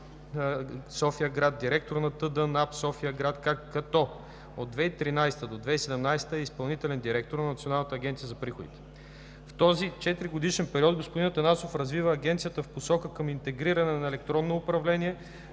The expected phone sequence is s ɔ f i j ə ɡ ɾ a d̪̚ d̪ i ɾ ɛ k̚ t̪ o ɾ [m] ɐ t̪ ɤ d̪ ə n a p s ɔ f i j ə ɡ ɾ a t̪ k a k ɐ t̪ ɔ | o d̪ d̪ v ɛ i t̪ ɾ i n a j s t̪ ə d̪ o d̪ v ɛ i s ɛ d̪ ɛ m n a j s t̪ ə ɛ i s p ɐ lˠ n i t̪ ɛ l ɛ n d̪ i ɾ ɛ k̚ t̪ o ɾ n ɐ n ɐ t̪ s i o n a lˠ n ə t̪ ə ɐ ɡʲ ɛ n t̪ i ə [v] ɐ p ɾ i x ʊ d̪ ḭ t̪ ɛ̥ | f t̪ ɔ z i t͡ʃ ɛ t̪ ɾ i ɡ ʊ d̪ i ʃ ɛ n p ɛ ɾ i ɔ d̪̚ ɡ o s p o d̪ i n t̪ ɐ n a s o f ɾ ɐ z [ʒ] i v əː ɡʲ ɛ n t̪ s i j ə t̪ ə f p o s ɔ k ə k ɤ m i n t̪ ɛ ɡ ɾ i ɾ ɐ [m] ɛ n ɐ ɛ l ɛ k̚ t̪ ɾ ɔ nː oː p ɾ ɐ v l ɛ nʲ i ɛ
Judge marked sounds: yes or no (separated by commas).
no, no, no, no